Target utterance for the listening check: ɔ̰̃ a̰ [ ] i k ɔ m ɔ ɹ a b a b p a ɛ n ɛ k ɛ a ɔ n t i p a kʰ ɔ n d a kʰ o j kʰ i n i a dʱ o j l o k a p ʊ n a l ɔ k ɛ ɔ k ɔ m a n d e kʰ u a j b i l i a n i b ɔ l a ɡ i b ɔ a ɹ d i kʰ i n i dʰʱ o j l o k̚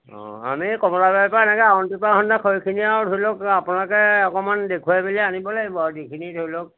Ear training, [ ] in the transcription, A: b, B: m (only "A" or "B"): B